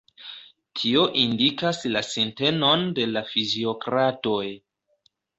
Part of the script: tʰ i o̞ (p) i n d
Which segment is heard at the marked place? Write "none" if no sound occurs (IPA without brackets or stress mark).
ʔ